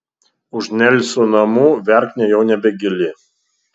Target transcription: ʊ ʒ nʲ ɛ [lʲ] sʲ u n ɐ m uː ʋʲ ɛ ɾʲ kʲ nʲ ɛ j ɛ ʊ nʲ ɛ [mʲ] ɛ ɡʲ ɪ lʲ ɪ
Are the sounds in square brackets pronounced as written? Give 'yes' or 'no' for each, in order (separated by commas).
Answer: yes, no